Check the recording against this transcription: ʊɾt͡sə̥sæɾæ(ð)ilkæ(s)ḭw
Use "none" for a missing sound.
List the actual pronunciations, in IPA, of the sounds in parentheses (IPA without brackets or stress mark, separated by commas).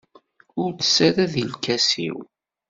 ð, s